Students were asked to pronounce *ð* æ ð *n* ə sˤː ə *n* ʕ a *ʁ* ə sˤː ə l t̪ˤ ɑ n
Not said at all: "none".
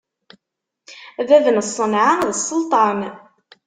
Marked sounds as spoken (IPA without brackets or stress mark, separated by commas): ð, n, n, ð